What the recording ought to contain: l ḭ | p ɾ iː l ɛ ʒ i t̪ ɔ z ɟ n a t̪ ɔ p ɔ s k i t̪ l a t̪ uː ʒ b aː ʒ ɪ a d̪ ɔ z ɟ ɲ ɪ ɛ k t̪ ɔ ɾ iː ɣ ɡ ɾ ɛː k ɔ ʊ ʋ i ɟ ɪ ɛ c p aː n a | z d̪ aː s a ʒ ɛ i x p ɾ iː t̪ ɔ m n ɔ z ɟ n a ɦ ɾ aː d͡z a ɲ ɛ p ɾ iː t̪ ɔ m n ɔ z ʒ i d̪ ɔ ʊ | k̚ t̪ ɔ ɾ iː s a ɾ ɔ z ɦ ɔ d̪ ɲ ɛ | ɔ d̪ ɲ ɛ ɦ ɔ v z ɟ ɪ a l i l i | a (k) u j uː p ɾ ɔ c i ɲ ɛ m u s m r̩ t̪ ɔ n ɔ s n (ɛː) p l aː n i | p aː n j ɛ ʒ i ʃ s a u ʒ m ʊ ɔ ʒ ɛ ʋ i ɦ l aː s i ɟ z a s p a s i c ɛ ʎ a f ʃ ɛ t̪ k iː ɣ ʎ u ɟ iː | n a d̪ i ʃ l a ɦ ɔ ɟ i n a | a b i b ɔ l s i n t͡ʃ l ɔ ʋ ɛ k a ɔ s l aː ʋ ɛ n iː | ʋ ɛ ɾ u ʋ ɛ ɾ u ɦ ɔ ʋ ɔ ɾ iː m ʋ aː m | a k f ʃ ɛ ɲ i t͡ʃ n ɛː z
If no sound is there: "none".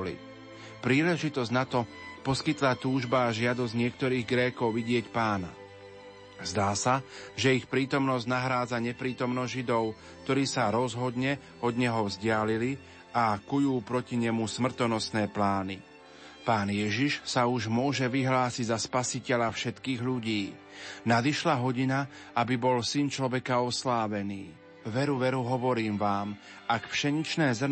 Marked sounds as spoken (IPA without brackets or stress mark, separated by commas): k, ɛː